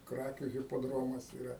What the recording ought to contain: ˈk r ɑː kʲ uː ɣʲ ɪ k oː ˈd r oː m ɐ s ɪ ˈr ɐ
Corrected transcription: ˈk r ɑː kʲ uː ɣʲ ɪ p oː ˈd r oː m ɐ s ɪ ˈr ɐ